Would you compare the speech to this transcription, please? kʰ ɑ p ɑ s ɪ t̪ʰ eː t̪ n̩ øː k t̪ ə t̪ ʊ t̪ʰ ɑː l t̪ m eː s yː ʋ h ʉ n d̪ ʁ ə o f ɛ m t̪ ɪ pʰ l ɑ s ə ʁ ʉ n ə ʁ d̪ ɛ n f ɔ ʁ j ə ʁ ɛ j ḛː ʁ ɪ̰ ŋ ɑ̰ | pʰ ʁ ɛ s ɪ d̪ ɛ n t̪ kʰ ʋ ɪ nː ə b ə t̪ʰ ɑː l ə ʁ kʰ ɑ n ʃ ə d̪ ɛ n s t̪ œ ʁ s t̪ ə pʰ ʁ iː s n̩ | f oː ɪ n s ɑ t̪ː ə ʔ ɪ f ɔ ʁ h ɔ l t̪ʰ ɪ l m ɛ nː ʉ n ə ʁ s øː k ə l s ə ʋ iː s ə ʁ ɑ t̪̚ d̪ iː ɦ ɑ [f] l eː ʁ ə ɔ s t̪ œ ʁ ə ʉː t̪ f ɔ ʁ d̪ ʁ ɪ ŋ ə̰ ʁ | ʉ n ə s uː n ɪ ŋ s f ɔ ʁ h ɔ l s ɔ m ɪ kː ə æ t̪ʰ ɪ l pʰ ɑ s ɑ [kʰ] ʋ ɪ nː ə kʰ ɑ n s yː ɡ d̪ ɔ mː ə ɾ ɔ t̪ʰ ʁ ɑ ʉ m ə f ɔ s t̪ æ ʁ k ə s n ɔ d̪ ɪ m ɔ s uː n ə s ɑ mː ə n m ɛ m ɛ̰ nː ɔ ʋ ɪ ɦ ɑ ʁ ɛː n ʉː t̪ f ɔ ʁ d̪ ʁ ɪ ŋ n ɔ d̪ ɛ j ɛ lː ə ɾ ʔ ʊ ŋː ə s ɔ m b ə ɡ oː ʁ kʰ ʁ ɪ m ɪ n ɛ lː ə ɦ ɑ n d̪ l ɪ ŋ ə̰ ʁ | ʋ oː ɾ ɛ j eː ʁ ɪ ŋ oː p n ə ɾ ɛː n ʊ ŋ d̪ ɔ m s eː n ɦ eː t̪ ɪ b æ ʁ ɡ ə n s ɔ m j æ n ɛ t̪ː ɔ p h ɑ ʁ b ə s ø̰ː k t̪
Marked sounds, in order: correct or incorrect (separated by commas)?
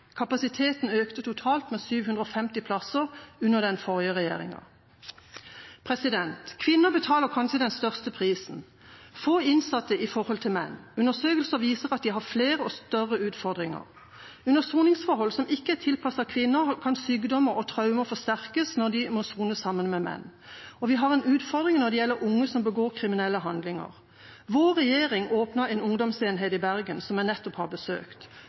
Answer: correct, correct